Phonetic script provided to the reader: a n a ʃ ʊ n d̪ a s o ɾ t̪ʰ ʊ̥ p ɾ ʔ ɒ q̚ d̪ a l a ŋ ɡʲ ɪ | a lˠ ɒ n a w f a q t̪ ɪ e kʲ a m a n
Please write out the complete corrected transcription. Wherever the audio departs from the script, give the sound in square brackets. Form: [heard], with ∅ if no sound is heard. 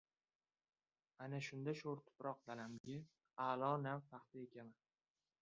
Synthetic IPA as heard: a n a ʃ ʊ n d̪ a [ʃ] o ɾ t̪ʰ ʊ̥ p ɾ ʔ ɒ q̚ d̪ a l a [m] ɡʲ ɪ | a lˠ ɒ n a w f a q t̪ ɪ e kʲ a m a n